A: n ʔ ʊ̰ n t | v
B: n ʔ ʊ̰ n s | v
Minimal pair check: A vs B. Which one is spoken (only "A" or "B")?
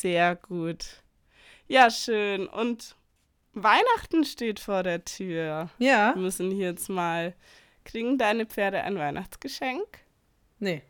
A